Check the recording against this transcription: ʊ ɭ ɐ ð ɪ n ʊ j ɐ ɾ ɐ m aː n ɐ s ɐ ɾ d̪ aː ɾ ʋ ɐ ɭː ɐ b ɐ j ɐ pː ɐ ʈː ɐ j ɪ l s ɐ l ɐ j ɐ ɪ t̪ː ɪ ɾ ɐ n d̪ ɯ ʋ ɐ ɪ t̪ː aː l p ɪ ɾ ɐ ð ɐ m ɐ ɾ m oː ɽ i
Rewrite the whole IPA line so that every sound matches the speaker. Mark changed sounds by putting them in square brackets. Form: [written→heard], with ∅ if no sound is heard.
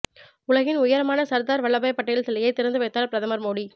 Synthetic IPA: ʊ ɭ ɐ [ð→ɣ] ɪ n ʊ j ɐ ɾ ɐ m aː n ɐ s ɐ ɾ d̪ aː ɾ ʋ ɐ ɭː ɐ b ɐ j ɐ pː ɐ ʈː ɐ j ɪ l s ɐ l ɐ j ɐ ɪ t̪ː ɪ ɾ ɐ n d̪ ɯ ʋ ɐ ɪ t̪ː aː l p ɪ ɾ ɐ ð ɐ m ɐ ɾ m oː ɽ i

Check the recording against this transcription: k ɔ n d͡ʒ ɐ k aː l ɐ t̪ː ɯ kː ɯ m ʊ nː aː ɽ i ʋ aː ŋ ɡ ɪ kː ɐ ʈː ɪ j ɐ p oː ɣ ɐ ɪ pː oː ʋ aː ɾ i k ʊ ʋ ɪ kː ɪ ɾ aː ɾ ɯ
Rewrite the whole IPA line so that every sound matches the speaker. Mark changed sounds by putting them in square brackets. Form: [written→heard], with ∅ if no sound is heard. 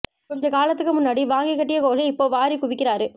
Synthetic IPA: k ɔ [n→ɲ] d͡ʒ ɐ k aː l ɐ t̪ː ɯ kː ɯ m ʊ nː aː ɽ i ʋ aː ŋ ɡ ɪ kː ɐ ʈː ɪ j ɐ [p→k] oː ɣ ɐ ɪ pː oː ʋ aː ɾ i k ʊ ʋ ɪ kː ɪ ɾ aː ɾ ɯ

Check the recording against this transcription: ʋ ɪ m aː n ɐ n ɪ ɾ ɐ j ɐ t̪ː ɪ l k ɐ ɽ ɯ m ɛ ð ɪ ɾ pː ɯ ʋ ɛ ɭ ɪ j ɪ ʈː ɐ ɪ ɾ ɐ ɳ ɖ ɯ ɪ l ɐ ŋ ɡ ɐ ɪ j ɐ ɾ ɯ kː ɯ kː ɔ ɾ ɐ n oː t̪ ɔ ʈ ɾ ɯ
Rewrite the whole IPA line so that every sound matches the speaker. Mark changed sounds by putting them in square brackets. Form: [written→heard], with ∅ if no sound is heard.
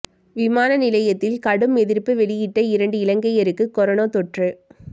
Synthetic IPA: ʋ ɪ m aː n ɐ n ɪ [ɾ→l] ɐ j ɐ t̪ː ɪ l k ɐ ɽ ɯ m ɛ ð ɪ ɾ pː ɯ ʋ ɛ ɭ ɪ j ɪ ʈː ɐ ɪ ɾ ɐ ɳ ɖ ɯ ɪ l ɐ ŋ ɡ ɐ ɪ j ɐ ɾ ɯ kː ɯ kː ɔ ɾ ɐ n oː t̪ ɔ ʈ [ɾ→r] ɯ

